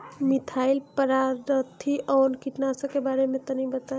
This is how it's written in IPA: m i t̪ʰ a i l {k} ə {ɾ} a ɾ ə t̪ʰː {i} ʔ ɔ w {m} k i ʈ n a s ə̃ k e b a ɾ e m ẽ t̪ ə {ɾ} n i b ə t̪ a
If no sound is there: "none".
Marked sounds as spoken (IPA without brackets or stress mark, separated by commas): p, ɾ, i, n, none